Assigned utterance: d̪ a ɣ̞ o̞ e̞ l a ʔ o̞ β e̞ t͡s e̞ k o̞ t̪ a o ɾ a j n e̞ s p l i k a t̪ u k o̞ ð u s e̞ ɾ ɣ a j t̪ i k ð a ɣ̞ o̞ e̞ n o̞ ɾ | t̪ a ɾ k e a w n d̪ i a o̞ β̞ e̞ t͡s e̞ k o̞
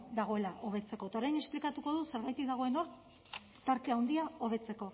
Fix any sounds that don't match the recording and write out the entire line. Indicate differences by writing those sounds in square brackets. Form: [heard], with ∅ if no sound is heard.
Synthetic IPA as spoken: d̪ a ɣ̞ o̞ e̞ l a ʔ o̞ β e̞ t͡s e̞ k o̞ t̪ a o ɾ a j n e̞ s p l i k a t̪ u k o̞ ð u s e̞ ɾ ɣ a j t̪ i k ð a ɣ̞ o̞ e̞ n o̞ ɾ | t̪ a ɾ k e a w n d̪ i a o̞ β̞ e̞ t͡s e̞ k o̞